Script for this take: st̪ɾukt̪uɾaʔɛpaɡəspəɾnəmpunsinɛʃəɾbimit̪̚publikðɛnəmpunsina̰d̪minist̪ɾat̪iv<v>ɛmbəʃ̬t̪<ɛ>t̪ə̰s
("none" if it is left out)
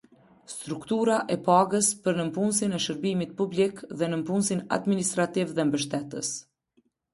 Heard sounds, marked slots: ð, ɛ

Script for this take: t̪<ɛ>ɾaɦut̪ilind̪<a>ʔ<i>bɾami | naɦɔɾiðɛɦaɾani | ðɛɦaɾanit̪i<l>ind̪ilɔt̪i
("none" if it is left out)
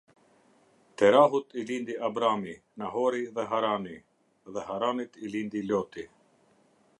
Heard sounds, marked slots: ɛ, i, a, l

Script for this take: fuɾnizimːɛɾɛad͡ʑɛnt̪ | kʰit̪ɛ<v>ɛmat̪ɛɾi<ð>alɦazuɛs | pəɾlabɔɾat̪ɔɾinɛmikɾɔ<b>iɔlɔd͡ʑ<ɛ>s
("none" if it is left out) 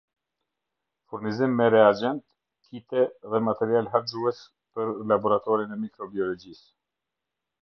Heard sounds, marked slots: ð, none, b, i

